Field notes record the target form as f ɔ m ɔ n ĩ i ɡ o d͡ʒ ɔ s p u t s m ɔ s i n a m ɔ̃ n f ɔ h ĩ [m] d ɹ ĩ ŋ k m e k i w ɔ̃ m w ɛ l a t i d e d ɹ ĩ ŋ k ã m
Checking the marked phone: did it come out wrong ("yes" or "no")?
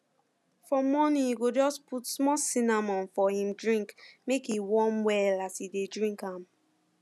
no